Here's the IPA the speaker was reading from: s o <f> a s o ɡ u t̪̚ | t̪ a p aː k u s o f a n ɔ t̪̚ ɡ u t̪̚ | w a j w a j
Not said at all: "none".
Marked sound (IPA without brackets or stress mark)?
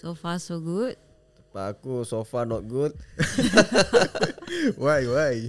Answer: f